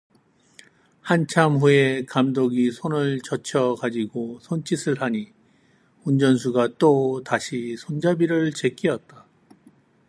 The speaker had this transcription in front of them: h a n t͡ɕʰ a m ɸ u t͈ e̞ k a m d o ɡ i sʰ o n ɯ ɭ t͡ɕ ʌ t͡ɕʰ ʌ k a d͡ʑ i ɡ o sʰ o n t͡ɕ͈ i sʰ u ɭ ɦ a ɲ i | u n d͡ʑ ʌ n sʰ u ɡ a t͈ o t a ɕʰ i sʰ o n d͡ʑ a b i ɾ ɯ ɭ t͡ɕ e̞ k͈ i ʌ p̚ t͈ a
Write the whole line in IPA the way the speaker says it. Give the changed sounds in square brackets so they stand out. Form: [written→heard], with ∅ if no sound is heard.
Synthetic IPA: h a n t͡ɕʰ a m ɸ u [t͈→∅] e̞ k a m d o ɡ i sʰ o n ɯ ɭ t͡ɕ ʌ t͡ɕʰ ʌ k a d͡ʑ i ɡ o sʰ o n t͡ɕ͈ i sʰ [u→ɯ] ɭ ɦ a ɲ i | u n d͡ʑ ʌ n sʰ u ɡ a t͈ o t a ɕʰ i sʰ o n d͡ʑ a b i ɾ ɯ ɭ t͡ɕ e̞ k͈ i ʌ [p̚→t̚] t͈ a

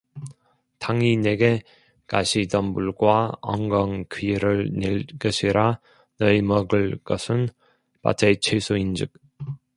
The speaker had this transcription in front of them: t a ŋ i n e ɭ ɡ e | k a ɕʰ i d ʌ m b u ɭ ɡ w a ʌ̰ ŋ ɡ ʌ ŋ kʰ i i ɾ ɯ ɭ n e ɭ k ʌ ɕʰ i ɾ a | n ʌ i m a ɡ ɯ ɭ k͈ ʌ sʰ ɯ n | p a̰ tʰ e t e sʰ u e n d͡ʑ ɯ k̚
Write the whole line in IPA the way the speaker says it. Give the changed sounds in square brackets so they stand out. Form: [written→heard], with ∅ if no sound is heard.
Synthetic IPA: t a ŋ i n e [ɭ→∅] ɡ e | k a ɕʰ i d ʌ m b u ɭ ɡ w a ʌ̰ ŋ ɡ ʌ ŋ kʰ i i ɾ ɯ ɭ n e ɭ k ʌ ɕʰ i ɾ a | n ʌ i m [a→ʌ] ɡ ɯ ɭ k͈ ʌ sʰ ɯ n | p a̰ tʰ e [t→t͡ɕʰ] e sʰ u [e→i] n d͡ʑ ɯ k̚

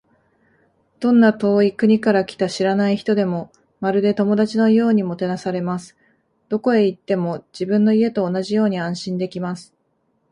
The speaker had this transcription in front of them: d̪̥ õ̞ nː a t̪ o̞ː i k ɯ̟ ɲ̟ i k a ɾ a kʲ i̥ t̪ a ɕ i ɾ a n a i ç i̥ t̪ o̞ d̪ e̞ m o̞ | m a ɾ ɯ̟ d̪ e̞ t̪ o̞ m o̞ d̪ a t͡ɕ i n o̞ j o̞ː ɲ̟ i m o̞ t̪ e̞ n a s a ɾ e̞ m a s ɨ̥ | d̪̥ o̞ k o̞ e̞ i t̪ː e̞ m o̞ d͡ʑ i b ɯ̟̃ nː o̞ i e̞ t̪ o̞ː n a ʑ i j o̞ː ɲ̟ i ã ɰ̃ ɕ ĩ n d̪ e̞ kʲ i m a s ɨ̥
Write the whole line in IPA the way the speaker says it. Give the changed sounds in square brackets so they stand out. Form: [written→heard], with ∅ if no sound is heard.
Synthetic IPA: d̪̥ õ̞ nː a t̪ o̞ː i k ɯ̟ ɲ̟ i k a ɾ a kʲ i̥ t̪ a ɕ i ɾ a n a i ç i̥ t̪ o̞ d̪ e̞ m o̞ | m a ɾ ɯ̟ d̪ e̞ t̪ o̞ m o̞ d̪ a t͡ɕ i n o̞ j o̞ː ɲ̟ i m o̞ t̪ e̞ n a s a ɾ e̞ m a s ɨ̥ | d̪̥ o̞ k o̞ e̞ i t̪ː e̞ m o̞ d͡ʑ i b ɯ̟̃ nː o̞ i e̞ t̪ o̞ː n a ʑ i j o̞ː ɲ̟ i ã ɰ̃ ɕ ĩ n d̪ e̞ kʲ i m a s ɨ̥

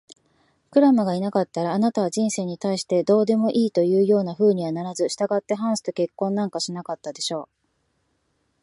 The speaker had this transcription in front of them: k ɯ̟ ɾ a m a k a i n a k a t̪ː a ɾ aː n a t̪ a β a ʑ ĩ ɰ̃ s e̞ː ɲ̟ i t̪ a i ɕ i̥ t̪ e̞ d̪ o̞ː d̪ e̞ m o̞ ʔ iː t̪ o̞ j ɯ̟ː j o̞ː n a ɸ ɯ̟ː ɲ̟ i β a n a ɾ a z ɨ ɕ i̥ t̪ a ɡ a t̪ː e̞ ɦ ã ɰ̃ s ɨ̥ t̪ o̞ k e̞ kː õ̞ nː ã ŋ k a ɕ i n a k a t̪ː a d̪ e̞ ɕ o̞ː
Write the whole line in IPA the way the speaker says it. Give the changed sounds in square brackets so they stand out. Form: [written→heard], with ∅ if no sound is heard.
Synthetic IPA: k ɯ̟ ɾ a m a [k→ɡ] a i n a k a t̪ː a ɾ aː n a t̪ a β a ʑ ĩ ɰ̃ s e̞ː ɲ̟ i t̪ a i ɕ i̥ t̪ e̞ d̪ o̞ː d̪ e̞ m o̞ ʔ iː t̪ o̞ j ɯ̟ː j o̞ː n a ɸ ɯ̟ː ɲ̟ i β a n a ɾ a z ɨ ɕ i̥ t̪ a ɡ a t̪ː e̞ ɦ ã ɰ̃ s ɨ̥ t̪ o̞ k e̞ kː õ̞ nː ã ŋ k a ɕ i n a k a t̪ː a d̪ e̞ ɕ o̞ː

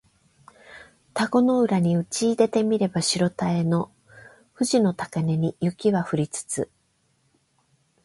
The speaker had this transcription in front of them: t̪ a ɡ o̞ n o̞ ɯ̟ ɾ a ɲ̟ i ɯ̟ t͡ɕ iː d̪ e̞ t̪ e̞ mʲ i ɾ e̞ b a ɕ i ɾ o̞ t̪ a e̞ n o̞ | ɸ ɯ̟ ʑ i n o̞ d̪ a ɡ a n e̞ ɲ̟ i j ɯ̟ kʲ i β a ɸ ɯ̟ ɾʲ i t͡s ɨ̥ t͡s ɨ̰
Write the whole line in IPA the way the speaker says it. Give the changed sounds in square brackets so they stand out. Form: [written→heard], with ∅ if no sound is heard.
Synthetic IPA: t̪ a ɡ o̞ n o̞ ɯ̟ ɾ a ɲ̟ i ɯ̟ t͡ɕ iː d̪ e̞ t̪ e̞ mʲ i ɾ e̞ b a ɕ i ɾ o̞ t̪ a e̞ n o̞ | ɸ ɯ̟ ʑ i n o̞ [d̪→t̪] a [ɡ→k] a n e̞ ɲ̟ i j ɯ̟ kʲ i β a ɸ ɯ̟ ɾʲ i t͡s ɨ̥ t͡s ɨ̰

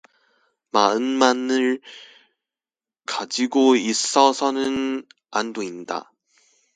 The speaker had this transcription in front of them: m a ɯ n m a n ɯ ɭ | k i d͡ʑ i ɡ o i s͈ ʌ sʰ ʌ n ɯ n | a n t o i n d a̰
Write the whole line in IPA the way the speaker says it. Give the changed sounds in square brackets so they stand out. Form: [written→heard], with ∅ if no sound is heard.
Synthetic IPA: m a ɯ n m a n ɯ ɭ | k [i→a] d͡ʑ i ɡ o i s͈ ʌ sʰ ʌ n ɯ n | a n [t→d] o i n d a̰

